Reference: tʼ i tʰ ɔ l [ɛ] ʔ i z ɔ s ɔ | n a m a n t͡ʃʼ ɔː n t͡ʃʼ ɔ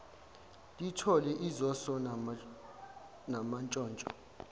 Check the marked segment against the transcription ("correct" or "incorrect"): correct